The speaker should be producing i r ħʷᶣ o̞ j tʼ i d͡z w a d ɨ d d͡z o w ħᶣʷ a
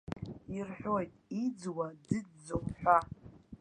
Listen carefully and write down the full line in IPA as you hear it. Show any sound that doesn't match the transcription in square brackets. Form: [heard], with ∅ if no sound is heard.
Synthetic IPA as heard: i r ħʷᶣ o̞ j tʼ i d͡z w a d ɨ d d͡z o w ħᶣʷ a